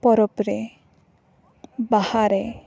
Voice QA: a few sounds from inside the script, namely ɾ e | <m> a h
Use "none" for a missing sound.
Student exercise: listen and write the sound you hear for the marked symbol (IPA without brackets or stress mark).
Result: b